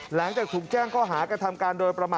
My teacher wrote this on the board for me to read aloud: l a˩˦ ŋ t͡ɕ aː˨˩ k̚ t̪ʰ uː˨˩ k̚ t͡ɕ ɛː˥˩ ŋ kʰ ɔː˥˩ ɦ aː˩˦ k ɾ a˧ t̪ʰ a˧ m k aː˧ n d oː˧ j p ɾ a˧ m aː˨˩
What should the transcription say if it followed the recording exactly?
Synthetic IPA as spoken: l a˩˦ ŋ t͡ɕ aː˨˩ k̚ t̪ʰ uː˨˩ k̚ t͡ɕ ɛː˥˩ ŋ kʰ ɔː˥˩ ɦ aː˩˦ k ɾ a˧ t̪ʰ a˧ m k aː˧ n d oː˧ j p ɾ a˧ m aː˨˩